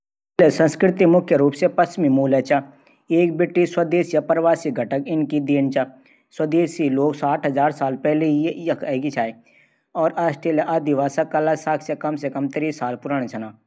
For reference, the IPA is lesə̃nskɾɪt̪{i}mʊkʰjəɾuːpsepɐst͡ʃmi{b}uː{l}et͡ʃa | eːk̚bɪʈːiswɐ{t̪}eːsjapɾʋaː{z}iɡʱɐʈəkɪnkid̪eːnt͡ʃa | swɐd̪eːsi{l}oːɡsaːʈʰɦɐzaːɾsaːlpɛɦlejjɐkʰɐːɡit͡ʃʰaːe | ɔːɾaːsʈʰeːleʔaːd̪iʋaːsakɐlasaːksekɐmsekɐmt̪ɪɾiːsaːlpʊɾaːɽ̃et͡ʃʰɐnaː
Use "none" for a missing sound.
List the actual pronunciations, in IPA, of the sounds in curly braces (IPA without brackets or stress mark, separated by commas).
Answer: i, m, l, d̪, s, l